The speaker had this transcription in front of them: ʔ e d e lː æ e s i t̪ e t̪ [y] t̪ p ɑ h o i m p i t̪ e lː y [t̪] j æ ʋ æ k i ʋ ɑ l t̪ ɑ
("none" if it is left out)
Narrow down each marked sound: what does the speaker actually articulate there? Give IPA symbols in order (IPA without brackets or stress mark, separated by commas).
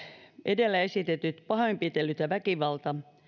y, t̪